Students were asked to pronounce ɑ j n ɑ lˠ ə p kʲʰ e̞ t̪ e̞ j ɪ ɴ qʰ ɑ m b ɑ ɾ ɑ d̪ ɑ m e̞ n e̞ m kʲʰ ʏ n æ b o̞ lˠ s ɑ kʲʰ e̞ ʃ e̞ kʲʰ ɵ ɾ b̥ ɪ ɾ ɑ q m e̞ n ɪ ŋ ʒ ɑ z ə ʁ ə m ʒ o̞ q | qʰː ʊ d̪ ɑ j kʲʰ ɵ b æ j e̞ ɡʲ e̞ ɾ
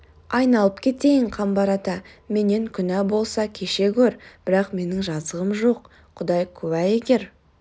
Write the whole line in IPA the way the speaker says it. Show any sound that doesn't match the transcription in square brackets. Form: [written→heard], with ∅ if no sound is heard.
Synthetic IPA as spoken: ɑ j n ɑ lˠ ə p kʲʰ e̞ t̪ e̞ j ɪ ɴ qʰ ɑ m b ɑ ɾ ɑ [d̪→t̪] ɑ m e̞ n e̞ [m→ŋ] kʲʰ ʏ n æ b o̞ lˠ s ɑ kʲʰ e̞ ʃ e̞ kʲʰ ɵ ɾ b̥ ɪ ɾ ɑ q m e̞ n ɪ ŋ ʒ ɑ z ə ʁ ə m ʒ o̞ q | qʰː ʊ d̪ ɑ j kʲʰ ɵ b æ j e̞ ɡʲ e̞ ɾ